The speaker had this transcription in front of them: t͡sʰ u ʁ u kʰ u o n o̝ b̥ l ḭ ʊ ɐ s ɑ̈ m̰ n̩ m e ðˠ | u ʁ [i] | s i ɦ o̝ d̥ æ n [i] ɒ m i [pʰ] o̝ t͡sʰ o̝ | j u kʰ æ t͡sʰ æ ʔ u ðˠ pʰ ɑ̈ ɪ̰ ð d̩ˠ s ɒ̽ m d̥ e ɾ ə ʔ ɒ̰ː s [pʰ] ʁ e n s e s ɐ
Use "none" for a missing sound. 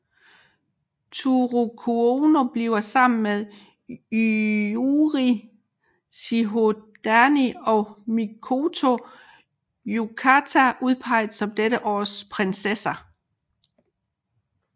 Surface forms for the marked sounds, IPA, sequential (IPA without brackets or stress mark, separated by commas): i, i, kʰ, pʰ